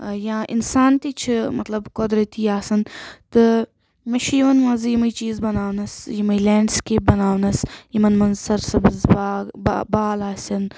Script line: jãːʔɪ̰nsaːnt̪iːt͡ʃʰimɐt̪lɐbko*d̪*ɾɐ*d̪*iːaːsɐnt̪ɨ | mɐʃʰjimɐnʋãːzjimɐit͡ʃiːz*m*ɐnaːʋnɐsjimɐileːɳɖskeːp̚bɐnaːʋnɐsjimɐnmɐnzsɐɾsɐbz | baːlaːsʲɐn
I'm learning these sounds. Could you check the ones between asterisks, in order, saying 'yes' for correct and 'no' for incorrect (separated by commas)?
yes, no, no